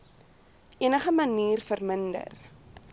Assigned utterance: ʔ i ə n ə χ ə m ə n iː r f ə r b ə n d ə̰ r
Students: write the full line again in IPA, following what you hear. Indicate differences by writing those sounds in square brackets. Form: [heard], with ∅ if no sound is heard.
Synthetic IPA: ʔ i ə n ə χ ə m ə n iː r f ə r [m] ə n d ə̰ r